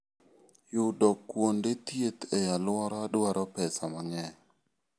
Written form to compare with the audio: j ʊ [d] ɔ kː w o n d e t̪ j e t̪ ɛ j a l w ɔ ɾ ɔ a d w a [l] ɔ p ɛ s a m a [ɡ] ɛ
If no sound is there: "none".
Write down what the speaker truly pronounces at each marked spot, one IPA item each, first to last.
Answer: d, ɾ, ŋ

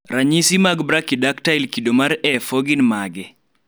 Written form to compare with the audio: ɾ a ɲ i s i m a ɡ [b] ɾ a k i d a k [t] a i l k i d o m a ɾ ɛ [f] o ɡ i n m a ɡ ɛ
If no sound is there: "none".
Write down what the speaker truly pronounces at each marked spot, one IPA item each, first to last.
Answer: b, t, f

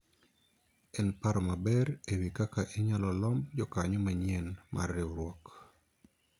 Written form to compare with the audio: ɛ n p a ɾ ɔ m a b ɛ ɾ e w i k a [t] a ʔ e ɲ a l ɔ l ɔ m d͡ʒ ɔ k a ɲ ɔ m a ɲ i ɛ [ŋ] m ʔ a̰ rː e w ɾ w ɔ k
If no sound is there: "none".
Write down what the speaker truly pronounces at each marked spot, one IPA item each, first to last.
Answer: k, n

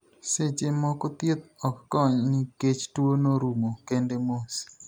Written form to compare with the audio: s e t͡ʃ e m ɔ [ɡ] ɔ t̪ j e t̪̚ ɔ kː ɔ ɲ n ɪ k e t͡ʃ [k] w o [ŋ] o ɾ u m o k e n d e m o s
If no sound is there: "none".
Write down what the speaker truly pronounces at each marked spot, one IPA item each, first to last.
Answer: k, t, n

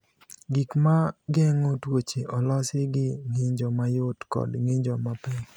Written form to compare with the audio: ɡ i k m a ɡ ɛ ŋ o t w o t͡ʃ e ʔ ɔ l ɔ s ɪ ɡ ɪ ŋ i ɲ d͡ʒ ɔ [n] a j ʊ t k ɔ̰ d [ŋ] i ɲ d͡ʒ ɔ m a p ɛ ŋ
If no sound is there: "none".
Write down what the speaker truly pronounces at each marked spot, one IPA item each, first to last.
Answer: m, ŋ

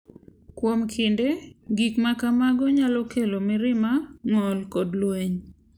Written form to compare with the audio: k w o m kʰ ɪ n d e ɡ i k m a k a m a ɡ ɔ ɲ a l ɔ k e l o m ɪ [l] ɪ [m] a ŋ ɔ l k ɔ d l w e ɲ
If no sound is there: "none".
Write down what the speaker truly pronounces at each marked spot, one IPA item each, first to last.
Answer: ɾ, m

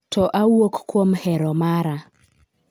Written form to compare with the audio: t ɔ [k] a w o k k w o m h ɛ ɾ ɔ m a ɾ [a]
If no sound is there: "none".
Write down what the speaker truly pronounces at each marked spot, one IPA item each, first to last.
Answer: ʔ, a

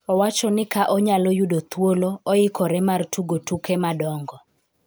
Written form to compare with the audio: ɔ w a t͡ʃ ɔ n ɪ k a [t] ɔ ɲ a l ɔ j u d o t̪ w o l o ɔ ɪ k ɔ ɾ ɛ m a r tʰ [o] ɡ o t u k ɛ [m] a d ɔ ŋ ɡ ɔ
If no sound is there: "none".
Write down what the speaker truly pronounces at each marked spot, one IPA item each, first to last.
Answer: ʔ, u, m

